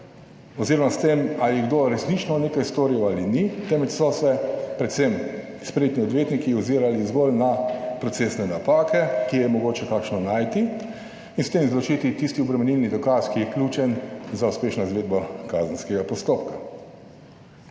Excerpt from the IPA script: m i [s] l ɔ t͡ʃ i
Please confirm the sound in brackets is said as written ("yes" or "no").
no